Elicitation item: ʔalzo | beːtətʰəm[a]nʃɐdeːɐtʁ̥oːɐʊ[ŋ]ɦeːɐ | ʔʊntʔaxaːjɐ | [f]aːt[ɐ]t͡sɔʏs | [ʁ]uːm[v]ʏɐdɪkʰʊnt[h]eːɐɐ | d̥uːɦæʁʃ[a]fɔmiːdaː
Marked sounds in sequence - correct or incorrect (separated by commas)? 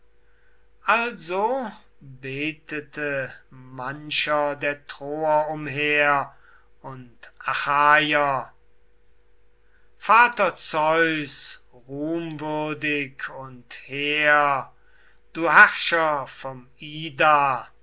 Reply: correct, incorrect, correct, correct, correct, correct, correct, incorrect